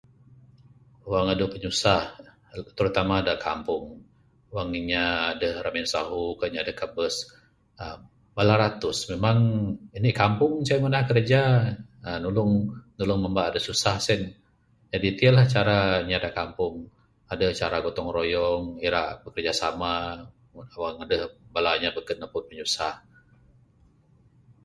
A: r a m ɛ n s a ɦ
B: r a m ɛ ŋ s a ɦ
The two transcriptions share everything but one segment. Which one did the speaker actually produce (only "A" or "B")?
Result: A